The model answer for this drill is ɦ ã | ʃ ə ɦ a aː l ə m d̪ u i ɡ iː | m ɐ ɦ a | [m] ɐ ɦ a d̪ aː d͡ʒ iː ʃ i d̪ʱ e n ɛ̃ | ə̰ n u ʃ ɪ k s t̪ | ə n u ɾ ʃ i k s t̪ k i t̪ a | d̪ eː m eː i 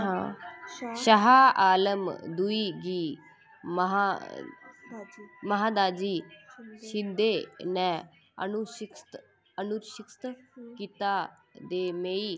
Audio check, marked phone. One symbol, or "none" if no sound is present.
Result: m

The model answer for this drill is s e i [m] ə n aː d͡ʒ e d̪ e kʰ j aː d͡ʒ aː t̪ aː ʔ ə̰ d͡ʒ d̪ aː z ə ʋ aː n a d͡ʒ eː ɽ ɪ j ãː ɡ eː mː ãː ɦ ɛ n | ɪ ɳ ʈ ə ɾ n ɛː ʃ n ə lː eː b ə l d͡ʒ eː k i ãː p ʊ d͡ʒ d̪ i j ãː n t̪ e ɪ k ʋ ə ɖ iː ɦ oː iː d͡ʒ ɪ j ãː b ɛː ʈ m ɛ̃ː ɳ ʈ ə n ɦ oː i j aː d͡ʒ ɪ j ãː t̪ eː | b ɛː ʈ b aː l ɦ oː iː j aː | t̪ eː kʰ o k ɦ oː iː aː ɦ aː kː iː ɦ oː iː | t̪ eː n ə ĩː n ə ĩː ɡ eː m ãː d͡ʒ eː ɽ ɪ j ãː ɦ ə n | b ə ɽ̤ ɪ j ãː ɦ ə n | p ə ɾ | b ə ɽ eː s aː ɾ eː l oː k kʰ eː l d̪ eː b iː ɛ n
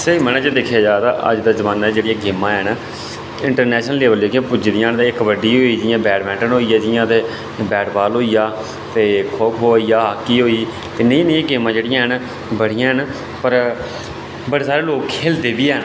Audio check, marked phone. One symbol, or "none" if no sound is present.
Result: m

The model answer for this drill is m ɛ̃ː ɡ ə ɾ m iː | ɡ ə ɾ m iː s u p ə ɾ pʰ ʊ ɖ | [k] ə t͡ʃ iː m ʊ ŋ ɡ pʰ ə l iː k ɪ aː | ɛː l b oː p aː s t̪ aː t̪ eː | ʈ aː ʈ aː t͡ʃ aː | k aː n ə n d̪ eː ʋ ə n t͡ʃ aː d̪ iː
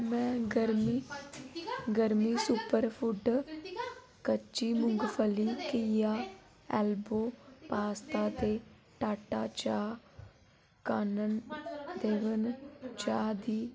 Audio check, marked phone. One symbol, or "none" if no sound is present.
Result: k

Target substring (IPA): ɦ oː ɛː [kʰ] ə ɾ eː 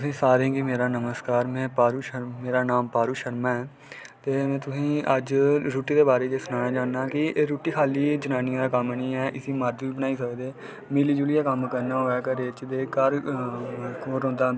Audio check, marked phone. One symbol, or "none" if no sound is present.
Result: k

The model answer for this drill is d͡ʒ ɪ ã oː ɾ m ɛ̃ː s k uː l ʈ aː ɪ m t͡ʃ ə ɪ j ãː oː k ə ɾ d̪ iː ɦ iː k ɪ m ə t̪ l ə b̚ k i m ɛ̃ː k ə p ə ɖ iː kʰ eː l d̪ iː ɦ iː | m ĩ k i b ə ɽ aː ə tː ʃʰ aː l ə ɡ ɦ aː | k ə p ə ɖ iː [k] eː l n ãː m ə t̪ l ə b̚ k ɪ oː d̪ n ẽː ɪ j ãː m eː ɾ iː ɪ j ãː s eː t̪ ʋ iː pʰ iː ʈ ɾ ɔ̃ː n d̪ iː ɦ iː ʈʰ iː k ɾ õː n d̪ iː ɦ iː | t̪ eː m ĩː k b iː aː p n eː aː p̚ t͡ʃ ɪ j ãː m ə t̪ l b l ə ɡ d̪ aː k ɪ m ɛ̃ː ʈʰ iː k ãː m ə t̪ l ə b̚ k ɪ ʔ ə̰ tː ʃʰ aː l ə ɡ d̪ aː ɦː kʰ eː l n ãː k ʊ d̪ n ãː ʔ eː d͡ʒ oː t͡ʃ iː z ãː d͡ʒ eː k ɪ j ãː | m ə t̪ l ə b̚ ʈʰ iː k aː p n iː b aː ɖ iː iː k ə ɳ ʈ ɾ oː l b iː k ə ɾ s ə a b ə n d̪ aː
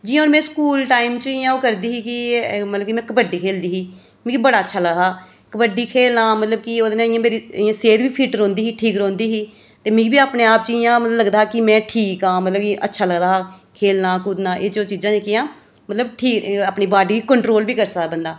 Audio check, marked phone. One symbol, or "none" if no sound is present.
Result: kʰ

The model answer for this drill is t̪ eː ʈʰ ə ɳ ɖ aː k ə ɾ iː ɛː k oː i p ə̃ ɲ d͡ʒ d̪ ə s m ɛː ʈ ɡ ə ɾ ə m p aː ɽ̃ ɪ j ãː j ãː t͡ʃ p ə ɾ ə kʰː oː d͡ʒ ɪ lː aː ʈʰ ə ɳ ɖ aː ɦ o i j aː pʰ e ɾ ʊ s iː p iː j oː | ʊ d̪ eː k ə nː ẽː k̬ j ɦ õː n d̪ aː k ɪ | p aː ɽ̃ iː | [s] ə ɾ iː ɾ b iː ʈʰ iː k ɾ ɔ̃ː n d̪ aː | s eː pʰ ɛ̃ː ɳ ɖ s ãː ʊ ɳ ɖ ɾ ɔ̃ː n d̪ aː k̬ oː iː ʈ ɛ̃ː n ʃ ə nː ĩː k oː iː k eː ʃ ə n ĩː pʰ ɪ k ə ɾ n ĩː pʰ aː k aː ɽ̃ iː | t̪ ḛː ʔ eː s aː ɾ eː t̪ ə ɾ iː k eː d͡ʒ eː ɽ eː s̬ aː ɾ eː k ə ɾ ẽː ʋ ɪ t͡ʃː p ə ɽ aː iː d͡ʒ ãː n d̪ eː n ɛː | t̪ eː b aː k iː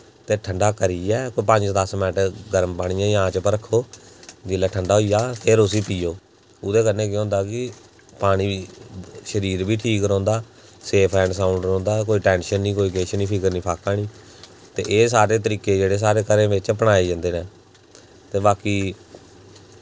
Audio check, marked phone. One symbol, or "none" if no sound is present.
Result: ʃ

